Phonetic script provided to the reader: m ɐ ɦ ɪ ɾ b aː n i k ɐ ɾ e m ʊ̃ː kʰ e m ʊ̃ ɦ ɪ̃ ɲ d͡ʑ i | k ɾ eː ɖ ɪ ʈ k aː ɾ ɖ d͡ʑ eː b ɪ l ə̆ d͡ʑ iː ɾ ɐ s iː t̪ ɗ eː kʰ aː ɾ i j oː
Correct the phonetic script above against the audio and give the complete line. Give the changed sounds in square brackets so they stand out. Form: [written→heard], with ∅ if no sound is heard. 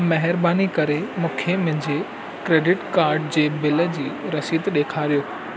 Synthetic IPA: m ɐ ɦ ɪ ɾ b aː n i k ɐ ɾ e m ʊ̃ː kʰ e m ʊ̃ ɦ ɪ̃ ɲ d͡ʑ [i→e] | k ɾ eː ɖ ɪ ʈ k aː ɾ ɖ d͡ʑ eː b ɪ l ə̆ d͡ʑ iː ɾ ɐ s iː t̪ ɗ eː kʰ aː ɾ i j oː